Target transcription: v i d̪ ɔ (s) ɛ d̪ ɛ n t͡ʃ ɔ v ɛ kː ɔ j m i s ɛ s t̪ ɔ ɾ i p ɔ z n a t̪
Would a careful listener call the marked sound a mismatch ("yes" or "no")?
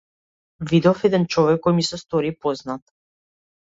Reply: yes